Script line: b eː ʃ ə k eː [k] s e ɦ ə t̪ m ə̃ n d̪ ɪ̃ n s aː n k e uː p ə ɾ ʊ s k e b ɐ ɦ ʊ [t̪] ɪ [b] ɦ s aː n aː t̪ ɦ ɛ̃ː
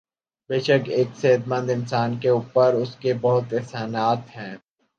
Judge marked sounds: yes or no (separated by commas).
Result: yes, yes, no